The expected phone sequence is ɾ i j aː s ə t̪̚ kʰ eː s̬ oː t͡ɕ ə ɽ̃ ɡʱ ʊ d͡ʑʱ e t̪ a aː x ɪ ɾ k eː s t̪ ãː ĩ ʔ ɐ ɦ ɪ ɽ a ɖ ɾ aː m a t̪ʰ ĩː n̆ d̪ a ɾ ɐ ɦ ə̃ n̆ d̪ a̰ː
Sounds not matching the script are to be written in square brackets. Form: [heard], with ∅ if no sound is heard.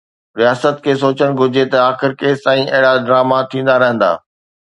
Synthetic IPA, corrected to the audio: ɾ i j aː s ə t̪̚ kʰ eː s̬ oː t͡ɕ ə ɽ̃ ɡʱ ʊ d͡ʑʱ e t̪ [ɐ] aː x ɪ ɾ k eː s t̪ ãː ĩ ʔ ɐ ɦ ɪ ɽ a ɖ ɾ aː m a t̪ʰ ĩː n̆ d̪ a ɾ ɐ ɦ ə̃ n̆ d̪ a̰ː